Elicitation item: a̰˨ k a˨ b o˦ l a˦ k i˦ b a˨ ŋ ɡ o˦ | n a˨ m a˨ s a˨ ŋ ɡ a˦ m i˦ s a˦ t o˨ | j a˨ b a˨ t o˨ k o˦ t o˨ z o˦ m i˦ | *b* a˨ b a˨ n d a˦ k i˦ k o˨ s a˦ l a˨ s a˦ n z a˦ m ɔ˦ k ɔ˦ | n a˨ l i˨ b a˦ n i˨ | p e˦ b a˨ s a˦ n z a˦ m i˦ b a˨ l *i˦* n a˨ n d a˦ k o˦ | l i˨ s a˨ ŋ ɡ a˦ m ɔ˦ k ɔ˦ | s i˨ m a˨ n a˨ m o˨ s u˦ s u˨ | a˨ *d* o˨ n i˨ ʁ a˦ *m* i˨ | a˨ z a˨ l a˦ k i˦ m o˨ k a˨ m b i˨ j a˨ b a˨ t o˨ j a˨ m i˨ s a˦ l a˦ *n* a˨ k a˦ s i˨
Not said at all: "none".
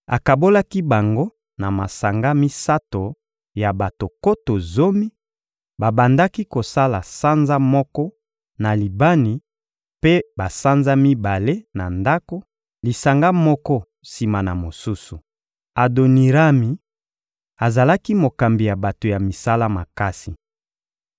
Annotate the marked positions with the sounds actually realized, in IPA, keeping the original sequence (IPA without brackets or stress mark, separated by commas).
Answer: b, e˦, d, m, m